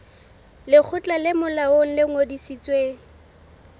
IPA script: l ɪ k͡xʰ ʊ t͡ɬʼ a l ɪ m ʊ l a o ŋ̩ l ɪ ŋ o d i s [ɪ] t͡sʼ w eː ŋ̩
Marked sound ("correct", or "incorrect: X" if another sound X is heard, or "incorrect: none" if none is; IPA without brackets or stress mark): incorrect: i